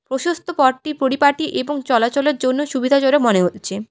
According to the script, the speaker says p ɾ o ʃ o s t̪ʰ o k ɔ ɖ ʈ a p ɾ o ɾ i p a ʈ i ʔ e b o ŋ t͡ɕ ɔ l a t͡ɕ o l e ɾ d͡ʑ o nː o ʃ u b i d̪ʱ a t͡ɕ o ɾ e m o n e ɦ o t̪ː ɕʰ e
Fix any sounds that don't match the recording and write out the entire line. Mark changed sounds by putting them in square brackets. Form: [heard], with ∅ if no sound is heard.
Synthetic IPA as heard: p ɾ o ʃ o s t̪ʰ o [p] ɔ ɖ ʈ [i] p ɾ o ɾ i p a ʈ i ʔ e b o ŋ t͡ɕ ɔ l a t͡ɕ o l e ɾ d͡ʑ o nː o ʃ u b i d̪ʱ a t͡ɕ o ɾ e m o n e ɦ o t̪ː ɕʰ e